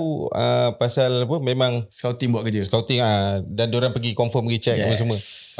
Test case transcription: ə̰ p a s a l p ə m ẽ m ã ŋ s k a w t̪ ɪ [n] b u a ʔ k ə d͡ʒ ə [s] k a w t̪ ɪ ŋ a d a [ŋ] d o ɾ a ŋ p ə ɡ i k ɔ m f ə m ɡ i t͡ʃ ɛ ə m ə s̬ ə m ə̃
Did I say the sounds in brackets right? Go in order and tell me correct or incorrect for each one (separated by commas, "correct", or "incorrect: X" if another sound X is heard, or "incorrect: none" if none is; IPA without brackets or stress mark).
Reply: incorrect: ŋ, correct, incorrect: n